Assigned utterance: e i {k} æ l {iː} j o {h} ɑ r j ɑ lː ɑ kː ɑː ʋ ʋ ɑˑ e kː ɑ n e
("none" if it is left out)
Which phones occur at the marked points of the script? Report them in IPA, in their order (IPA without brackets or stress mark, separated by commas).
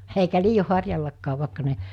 k, iː, h